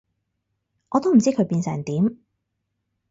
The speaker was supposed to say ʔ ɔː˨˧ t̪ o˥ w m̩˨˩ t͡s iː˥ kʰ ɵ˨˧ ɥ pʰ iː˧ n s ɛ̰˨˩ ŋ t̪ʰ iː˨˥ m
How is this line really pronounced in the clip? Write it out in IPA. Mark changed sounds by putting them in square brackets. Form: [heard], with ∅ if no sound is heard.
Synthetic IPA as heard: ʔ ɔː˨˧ t̪ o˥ w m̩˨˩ t͡s iː˥ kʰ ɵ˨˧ ɥ [p] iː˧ n s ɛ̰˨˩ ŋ [t̪] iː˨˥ m

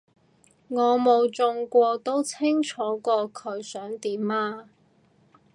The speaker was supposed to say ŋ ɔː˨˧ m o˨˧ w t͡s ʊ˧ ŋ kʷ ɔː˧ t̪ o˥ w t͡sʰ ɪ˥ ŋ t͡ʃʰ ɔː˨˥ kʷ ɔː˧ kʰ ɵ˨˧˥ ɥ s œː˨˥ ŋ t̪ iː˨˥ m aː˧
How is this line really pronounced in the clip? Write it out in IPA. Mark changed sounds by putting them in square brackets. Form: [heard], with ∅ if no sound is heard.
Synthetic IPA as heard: ŋ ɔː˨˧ m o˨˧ w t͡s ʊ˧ ŋ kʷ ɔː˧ t̪ o˥ w t͡sʰ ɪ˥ ŋ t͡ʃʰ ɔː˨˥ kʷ ɔː˧ kʰ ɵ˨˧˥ ɥ s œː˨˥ ŋ t̪ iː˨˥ m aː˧

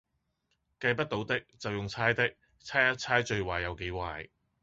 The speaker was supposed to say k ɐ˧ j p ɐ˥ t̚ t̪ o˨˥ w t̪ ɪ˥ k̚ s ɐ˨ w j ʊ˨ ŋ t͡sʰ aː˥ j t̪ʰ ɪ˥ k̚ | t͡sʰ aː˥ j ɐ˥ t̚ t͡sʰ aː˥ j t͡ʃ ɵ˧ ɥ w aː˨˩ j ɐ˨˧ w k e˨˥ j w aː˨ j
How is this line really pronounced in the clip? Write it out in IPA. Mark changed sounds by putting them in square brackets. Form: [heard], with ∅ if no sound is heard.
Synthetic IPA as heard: k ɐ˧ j p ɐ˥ t̚ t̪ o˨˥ w t̪ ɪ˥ k̚ [t͡s] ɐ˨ w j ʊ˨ ŋ t͡sʰ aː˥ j [t̪] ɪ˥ k̚ | t͡sʰ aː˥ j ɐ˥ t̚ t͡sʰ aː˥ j t͡ʃ ɵ˧ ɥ w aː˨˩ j ɐ˨˧ w k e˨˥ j w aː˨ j

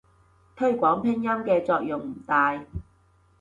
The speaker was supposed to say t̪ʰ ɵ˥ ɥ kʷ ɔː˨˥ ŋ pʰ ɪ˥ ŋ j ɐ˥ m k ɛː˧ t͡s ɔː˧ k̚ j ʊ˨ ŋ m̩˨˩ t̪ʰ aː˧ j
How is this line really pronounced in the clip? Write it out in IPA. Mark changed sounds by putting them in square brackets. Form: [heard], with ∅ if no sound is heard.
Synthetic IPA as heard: t̪ʰ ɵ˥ ɥ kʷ ɔː˨˥ ŋ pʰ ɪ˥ ŋ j ɐ˥ m k ɛː˧ t͡s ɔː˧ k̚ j ʊ˨ ŋ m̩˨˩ [t̪] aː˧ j

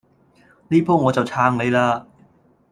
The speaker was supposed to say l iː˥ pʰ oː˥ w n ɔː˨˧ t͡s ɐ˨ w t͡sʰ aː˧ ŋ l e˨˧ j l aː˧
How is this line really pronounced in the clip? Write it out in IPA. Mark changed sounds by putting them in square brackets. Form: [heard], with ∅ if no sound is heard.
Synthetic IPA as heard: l iː˥ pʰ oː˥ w [ŋ] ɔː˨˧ t͡s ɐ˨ w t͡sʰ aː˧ ŋ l e˨˧ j l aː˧

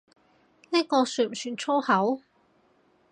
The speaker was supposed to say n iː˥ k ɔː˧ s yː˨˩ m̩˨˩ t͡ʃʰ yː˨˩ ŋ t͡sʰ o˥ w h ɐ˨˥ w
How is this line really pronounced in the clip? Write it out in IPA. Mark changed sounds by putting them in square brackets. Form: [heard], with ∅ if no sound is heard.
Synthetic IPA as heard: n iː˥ k ɔː˧ s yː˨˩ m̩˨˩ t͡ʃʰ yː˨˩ [n] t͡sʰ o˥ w h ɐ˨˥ w

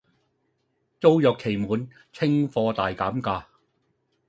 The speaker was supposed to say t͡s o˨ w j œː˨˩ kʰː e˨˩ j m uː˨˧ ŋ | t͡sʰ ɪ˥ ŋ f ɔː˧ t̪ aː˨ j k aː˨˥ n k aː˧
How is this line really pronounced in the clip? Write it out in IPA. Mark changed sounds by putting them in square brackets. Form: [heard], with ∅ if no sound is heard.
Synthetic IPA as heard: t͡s [o˥] w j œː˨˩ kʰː e˨˩ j m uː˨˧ [n] | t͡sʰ ɪ˥ ŋ f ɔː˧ t̪ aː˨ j k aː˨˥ [m] k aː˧

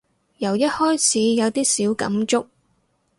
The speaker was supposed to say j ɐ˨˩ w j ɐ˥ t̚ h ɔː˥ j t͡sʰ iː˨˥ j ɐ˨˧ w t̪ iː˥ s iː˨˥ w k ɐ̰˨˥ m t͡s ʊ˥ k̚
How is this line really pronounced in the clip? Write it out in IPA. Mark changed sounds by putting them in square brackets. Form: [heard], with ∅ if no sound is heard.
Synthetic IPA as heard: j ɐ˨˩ w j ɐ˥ t̚ h ɔː˥ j t͡sʰ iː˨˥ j ɐ˨˧ w t̪ iː˥ s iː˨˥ w k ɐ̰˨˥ m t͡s ʊ˥ k̚

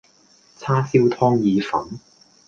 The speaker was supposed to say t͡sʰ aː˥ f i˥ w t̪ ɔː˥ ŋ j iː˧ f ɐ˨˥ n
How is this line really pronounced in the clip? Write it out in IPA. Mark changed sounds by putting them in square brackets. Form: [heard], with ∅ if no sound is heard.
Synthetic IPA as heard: t͡sʰ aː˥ [s] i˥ w [t̪ʰ] ɔː˥ ŋ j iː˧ f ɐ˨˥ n

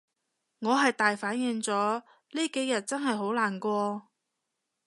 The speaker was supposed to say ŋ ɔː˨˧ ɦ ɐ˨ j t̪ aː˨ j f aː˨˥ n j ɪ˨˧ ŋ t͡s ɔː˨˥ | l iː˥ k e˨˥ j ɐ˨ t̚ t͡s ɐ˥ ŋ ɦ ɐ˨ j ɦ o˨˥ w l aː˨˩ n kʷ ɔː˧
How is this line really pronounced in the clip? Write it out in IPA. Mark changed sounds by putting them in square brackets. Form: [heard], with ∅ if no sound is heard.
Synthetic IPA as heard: ŋ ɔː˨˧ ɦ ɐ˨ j t̪ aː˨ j f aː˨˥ n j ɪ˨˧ ŋ t͡s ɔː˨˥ | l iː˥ k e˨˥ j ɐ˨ t̚ t͡s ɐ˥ [n] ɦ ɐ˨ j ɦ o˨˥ w l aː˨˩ n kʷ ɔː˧

